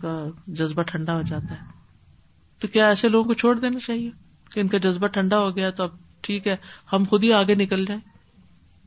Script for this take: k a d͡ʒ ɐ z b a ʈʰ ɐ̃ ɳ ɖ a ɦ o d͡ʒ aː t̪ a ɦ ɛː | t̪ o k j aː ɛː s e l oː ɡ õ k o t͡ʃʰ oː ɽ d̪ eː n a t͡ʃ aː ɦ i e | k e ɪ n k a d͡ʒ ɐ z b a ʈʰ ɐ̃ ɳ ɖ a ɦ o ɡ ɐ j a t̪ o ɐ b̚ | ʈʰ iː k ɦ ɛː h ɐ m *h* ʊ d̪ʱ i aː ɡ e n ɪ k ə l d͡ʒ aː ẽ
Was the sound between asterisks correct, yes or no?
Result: no